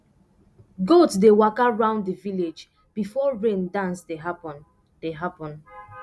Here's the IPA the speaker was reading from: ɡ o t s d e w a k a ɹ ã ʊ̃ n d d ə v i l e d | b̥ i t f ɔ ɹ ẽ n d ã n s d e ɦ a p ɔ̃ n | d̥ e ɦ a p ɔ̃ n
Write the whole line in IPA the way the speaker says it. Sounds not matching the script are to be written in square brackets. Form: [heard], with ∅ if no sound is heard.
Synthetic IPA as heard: ɡ o t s d e w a k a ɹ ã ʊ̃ n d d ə v i l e [d͡ʒ] | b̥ i [∅] f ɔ ɹ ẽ n d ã n s d e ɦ a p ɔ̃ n | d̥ e ɦ a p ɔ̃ n